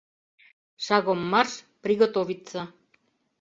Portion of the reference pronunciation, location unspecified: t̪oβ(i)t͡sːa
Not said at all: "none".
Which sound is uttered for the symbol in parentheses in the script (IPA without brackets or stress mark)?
i